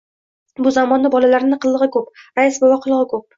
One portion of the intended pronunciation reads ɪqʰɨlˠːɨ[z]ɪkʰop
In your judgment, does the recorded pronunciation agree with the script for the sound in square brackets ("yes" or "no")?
no